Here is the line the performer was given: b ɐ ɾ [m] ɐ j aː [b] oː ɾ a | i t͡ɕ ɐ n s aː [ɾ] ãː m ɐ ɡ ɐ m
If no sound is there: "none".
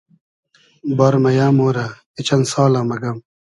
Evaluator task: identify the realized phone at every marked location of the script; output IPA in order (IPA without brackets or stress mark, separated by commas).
m, m, l